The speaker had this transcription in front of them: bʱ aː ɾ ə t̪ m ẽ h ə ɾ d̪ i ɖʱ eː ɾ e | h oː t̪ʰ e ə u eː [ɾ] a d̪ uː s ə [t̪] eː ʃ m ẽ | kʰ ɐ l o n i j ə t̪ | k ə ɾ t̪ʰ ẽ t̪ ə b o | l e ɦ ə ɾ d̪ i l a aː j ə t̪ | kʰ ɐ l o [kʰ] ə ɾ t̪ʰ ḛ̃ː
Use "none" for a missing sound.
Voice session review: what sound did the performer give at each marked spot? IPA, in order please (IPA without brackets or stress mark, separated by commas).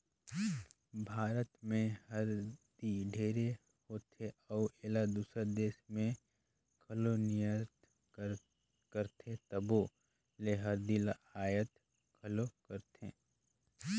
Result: l, d̪, k